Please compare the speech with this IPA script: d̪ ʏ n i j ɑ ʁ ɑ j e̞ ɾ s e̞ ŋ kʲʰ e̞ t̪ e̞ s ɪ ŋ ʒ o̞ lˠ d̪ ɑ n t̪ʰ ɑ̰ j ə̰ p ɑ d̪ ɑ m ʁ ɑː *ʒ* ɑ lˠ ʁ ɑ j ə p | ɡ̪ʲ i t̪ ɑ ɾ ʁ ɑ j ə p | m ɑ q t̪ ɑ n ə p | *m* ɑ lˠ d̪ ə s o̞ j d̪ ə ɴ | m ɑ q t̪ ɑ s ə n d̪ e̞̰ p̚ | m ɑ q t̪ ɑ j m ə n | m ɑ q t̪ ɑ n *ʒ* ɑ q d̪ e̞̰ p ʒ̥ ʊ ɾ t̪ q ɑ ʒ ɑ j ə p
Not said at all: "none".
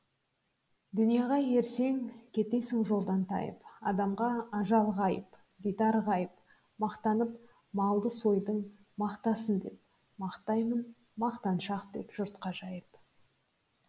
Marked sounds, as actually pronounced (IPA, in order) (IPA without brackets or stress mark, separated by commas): ʒ, m, ʃ